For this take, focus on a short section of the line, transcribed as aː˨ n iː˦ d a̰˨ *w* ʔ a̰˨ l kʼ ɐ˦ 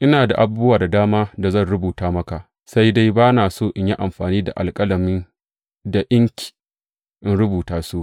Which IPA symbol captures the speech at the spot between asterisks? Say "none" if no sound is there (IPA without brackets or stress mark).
none